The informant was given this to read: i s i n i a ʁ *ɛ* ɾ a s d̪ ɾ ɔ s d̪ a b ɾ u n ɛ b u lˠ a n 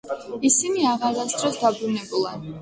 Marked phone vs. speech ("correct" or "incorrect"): incorrect